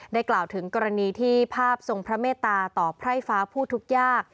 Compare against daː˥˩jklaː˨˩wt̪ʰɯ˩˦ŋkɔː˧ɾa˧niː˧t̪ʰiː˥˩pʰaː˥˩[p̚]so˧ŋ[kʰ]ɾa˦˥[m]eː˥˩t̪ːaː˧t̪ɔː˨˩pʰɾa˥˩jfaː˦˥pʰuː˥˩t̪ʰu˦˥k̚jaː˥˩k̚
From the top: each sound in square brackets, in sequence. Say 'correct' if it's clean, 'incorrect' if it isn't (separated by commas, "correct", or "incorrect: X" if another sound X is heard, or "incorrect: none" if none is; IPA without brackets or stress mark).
correct, incorrect: pʰ, correct